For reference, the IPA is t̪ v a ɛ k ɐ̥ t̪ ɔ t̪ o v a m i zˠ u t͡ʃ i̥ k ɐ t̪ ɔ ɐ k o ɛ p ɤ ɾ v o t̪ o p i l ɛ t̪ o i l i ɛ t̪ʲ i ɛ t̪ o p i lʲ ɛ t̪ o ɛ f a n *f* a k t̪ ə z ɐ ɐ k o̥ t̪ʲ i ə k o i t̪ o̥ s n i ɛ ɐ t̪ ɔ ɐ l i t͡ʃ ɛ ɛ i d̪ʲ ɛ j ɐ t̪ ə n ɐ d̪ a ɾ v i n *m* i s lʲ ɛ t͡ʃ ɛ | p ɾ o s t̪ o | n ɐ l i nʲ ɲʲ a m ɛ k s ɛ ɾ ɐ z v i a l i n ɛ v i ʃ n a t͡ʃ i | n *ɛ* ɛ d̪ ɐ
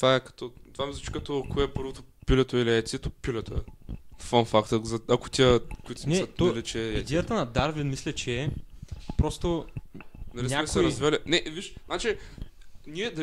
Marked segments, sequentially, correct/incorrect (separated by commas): correct, correct, incorrect